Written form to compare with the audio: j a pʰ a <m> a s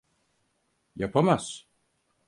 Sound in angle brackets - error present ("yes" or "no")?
no